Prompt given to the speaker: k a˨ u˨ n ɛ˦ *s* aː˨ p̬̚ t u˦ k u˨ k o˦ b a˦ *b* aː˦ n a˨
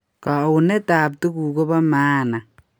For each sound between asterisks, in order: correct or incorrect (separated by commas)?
incorrect, incorrect